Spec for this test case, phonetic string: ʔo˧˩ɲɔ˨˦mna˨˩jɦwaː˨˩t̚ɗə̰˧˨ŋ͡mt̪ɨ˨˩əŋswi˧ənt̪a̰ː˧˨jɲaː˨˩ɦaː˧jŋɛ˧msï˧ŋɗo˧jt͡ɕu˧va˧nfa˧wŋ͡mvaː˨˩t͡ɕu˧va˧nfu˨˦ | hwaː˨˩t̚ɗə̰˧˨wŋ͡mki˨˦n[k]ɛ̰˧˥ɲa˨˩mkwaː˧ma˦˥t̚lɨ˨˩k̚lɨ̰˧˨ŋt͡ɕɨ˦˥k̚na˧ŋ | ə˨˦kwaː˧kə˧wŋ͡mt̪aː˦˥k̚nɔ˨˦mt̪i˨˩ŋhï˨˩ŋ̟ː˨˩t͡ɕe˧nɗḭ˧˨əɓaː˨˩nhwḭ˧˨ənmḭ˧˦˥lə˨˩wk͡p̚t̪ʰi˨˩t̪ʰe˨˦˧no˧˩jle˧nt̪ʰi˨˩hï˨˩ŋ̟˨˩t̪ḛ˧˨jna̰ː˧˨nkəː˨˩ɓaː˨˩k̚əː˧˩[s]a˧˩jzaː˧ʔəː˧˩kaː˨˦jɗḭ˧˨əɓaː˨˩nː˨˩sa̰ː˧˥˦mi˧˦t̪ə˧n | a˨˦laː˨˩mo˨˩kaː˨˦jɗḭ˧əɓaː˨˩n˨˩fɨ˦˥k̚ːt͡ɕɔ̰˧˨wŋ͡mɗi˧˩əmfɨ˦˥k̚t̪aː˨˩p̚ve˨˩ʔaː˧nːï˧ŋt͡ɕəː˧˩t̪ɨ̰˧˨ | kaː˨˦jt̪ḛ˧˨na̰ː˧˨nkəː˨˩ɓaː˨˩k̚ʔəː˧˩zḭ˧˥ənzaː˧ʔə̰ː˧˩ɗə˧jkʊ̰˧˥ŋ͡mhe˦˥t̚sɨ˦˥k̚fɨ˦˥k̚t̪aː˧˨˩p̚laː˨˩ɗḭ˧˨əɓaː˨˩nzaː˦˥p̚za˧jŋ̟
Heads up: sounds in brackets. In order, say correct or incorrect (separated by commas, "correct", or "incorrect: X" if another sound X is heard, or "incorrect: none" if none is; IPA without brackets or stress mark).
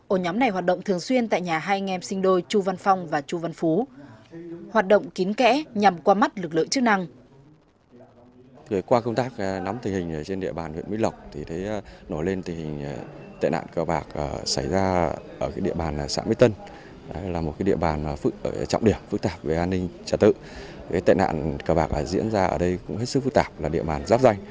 correct, correct